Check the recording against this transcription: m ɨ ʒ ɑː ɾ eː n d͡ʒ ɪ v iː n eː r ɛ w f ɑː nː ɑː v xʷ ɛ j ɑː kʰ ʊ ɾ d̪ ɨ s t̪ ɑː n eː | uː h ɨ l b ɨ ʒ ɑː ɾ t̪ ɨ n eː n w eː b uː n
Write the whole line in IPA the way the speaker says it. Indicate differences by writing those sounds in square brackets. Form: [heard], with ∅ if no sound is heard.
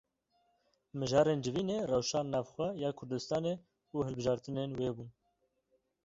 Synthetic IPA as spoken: m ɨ ʒ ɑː ɾ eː n d͡ʒ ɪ v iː n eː r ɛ w [ʃ] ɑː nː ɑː v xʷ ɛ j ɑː kʰ ʊ ɾ d̪ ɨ s t̪ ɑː n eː | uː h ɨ l b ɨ ʒ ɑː ɾ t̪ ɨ n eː n w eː b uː n